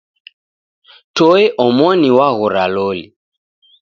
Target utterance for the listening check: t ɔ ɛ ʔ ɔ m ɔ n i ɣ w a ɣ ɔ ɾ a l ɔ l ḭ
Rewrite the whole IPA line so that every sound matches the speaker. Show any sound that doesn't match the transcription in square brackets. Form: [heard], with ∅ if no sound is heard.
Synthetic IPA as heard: t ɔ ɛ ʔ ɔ m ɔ n i [∅] w a ɣ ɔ ɾ a l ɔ l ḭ